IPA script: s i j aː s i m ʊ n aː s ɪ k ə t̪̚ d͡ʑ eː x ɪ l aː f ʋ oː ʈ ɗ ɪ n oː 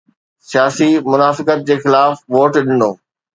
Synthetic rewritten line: s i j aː s i m ʊ n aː f ɪ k ə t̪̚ d͡ʑ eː x ɪ l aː f ʋ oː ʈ ɗ ɪ n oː

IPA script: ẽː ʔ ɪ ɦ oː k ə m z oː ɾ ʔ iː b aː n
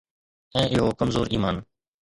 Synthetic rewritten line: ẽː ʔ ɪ ɦ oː k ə m z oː ɾ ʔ iː m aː n

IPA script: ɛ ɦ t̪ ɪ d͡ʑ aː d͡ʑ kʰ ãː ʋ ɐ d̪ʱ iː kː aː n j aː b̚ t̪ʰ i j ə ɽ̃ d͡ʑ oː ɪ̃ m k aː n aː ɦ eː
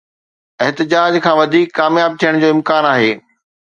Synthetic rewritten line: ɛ ɦ t̪ ɪ d͡ʑ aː d͡ʑ kʰ ãː ʋ ɐ d̪ʱ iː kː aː m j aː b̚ t̪ʰ i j ə ɽ̃ d͡ʑ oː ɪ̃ m k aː n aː ɦ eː

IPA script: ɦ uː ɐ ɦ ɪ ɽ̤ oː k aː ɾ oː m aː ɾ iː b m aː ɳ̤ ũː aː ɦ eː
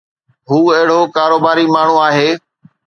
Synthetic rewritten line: ɦ uː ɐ ɦ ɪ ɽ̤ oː k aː ɾ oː b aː ɾ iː m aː ɳ̤ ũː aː ɦ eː

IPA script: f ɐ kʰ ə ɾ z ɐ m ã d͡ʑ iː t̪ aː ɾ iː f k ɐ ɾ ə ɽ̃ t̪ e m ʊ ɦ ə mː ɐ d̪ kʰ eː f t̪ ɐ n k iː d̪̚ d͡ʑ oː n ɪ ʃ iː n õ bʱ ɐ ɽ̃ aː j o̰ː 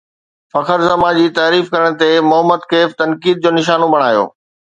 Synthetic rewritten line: f ɐ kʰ ə ɾ z ɐ m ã d͡ʑ iː t̪ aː ɾ iː f k ɐ ɾ ə ɽ̃ t̪ e m ʊ ɦ ə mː ə d̪ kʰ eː f t̪ ɐ n k iː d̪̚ d͡ʑ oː n ɪ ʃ aː n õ bʱ ɐ ɽ̃ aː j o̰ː

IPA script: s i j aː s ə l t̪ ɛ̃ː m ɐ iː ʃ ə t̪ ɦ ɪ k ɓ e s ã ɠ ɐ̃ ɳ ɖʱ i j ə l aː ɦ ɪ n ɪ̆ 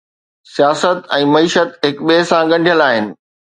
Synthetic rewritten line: s i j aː s ə t̪ ɛ̃ː m ɐ iː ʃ ə t̪ ɦ ɪ k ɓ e s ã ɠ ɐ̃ ɳ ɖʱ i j ə l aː ɦ ɪ n ɪ̆

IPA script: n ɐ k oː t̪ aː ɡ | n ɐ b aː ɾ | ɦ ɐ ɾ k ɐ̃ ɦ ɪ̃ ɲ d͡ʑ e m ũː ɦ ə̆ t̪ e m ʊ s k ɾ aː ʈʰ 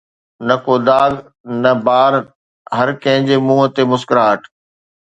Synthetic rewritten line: n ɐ k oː d̪ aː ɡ | n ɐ b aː ɾ | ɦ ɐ ɾ k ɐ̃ ɦ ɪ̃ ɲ d͡ʑ e m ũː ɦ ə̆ t̪ e m ʊ s k ɾ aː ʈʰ

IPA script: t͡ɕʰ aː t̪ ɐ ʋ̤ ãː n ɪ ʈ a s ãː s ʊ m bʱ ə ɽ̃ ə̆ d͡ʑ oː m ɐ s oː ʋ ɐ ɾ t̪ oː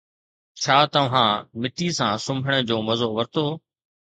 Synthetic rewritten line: t͡ɕʰ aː t̪ ɐ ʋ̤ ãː m ɪ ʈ i s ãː s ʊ m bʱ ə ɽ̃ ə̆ d͡ʑ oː m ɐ z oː ʋ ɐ ɾ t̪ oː

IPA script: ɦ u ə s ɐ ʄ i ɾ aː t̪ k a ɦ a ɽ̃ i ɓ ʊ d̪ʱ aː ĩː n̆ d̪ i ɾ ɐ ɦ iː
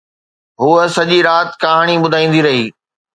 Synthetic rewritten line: ɦ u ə s ɐ ʄ i ɾ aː t̪ k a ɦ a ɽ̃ i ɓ ʊ d̪ʱ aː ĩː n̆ d̪ i ɾ ɐ ɦ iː

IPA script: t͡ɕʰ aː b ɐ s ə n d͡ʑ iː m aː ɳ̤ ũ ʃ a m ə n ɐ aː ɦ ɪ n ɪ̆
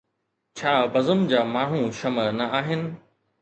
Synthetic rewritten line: t͡ɕʰ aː b ɐ z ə m d͡ʑ aː m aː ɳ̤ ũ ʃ ɐ m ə n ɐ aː ɦ ɪ n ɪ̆

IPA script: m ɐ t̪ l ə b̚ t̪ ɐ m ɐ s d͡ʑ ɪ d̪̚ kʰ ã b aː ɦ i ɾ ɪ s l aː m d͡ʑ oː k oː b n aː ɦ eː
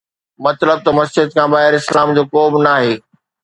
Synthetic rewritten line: m ɐ t̪ l ə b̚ t̪ ɐ m ɐ s d͡ʑ ɪ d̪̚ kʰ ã b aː ɦ ɪ ɾ ɪ s l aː m d͡ʑ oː k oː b n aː ɦ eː

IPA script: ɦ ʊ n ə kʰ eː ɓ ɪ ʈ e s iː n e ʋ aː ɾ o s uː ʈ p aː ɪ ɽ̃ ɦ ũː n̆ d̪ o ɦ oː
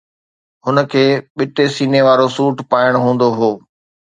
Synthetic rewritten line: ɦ ʊ n ə kʰ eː ɓ ɪ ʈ e s iː n e ʋ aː ɾ o s uː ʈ p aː ɪ ɽ̃ ɦ ũː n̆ d̪ o ɦ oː

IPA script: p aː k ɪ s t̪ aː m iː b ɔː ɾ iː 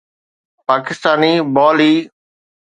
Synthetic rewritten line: p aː k ɪ s t̪ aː n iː b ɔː l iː

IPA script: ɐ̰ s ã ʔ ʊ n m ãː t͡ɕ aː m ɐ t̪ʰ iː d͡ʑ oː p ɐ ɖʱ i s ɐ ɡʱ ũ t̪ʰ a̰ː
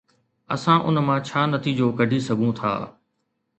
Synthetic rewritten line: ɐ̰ s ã ʔ ʊ n m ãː t͡ɕʰ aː n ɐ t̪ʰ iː d͡ʑ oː k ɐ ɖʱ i s ɐ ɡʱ ũ t̪ʰ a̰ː

